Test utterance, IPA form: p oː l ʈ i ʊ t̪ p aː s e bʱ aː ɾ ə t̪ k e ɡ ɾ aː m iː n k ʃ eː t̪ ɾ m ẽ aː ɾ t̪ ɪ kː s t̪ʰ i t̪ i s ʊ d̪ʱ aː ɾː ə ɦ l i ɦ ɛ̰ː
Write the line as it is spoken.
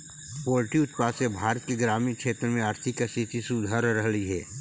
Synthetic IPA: p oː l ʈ i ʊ t̪ p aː s e bʱ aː ɾ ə t̪ k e ɡ ɾ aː m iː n k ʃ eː t̪ ɾ m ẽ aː ɾ t̪ʰ ɪ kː s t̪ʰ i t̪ i s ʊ d̪ʱ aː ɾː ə ɦ l i ɦ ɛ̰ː